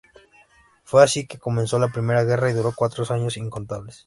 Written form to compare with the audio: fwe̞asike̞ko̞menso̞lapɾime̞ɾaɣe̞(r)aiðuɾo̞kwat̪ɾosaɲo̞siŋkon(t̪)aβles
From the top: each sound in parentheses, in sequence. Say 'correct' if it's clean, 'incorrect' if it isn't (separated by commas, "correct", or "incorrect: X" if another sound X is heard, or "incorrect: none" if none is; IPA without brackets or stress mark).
correct, correct